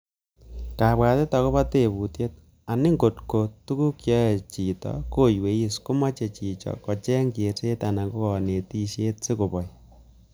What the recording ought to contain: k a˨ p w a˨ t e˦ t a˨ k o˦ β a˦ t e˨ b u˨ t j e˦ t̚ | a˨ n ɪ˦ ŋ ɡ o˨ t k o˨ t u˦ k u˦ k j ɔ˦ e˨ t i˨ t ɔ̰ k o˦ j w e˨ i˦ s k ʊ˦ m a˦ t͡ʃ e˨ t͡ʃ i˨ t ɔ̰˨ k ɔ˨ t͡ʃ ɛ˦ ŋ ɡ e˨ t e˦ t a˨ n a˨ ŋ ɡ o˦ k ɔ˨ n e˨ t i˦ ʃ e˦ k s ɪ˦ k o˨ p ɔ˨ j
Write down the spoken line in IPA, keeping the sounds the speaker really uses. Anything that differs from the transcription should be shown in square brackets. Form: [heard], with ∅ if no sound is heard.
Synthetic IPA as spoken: k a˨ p w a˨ t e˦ t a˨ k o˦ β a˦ t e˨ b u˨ t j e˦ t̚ | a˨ n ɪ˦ ŋ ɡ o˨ t k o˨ t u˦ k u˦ k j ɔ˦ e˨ [t͡ʃ] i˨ t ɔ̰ k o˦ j w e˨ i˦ s k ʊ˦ m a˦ t͡ʃ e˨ t͡ʃ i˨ [t͡ʃ] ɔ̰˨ k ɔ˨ t͡ʃ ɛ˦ ŋ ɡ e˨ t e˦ t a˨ n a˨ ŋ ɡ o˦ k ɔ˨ n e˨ t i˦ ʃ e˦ [t] s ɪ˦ k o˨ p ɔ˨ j